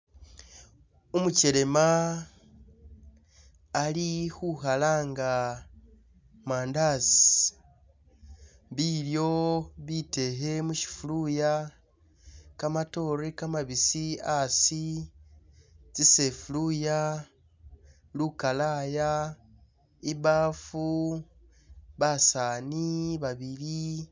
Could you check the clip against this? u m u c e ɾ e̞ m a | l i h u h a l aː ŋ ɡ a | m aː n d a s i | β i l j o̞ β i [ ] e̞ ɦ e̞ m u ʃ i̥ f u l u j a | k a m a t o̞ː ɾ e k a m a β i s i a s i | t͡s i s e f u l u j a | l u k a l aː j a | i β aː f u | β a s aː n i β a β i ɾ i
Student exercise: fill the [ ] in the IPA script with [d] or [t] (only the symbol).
t